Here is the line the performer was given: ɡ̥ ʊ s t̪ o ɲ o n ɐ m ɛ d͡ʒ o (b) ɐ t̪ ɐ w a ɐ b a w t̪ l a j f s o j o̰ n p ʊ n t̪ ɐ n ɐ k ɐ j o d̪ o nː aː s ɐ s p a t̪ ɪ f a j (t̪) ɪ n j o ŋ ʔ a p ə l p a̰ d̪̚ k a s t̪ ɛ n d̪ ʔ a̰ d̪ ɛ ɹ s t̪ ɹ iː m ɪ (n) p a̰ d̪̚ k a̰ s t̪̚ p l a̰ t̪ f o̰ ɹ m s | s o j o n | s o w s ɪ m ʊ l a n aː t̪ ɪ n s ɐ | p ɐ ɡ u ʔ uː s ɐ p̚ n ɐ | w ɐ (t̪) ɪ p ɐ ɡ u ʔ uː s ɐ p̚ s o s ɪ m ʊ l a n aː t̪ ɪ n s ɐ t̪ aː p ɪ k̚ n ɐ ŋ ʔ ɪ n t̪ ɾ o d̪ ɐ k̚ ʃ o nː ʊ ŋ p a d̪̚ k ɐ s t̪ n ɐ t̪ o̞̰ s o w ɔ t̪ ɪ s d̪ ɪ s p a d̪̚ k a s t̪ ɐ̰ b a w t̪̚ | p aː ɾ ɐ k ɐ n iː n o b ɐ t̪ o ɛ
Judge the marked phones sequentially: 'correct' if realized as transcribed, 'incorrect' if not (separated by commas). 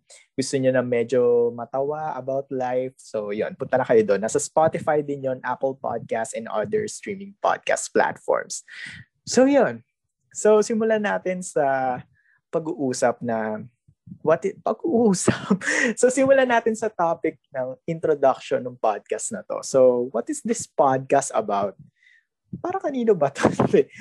incorrect, incorrect, incorrect, correct